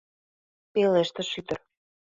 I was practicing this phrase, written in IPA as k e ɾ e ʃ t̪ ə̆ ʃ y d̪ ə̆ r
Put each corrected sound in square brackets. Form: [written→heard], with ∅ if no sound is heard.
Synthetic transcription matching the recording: [k→p] e [ɾ→l] e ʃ t̪ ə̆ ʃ y [d̪→t̪] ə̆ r